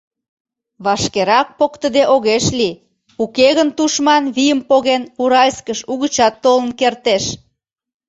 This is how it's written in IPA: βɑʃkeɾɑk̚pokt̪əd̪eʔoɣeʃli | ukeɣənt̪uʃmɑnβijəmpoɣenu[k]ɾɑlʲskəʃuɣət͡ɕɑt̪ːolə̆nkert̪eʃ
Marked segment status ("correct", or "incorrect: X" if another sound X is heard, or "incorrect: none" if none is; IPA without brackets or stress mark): incorrect: none